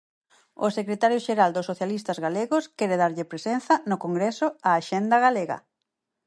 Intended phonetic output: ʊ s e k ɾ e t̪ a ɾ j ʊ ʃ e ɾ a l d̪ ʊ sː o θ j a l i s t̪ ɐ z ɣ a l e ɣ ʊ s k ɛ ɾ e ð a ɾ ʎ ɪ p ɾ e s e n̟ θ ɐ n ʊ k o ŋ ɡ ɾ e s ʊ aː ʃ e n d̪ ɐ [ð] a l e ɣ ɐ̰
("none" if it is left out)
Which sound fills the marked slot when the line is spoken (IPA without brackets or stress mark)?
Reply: ɣ